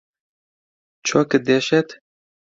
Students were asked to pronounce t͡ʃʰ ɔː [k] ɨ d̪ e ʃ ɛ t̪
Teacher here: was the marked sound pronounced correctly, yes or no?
yes